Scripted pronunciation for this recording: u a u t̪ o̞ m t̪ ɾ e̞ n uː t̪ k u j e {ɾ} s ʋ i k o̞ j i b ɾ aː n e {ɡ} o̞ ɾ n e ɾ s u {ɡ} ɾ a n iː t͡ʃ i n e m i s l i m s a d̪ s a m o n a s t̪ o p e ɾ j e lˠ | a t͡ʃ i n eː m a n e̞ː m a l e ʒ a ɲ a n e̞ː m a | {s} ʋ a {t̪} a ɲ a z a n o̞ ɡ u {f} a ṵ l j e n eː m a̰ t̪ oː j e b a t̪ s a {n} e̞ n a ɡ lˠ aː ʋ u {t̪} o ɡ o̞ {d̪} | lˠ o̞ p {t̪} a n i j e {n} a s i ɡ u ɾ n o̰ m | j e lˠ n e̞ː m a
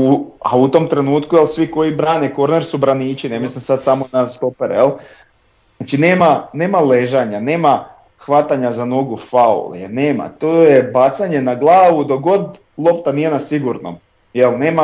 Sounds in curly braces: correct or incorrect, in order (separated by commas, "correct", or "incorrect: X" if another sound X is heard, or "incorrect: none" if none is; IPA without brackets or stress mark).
incorrect: l, incorrect: k, incorrect: b, incorrect: x, correct, correct, incorrect: ɲ, incorrect: d̪, correct, correct, correct